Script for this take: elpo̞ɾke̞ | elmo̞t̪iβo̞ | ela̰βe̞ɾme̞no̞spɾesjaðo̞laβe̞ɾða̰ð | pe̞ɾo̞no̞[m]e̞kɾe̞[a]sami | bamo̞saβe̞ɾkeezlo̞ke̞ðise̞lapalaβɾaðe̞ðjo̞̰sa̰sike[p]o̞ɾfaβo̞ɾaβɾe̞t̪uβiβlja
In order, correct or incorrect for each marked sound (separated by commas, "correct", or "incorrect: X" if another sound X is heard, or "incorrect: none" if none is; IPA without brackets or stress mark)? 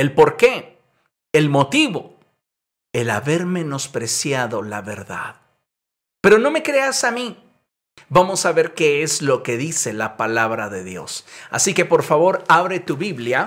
correct, correct, correct